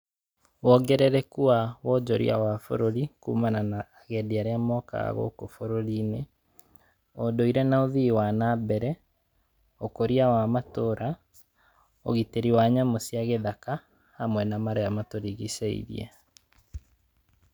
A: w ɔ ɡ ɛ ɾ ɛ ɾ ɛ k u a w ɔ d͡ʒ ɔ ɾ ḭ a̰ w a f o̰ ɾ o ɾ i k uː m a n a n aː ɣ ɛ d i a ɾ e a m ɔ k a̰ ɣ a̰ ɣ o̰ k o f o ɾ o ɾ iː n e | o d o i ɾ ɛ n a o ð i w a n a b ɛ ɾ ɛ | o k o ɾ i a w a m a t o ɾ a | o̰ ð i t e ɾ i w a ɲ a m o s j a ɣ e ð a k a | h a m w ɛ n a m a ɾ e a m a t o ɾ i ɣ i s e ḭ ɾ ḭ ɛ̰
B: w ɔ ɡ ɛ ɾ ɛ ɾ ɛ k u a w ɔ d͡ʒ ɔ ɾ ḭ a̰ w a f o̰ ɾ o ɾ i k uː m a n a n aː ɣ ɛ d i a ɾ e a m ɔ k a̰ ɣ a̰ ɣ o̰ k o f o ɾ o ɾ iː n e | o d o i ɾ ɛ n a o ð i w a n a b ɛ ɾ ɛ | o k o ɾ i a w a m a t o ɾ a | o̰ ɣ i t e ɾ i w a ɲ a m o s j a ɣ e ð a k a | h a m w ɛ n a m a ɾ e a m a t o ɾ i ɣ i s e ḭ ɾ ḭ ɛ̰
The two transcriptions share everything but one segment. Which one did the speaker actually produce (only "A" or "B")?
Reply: B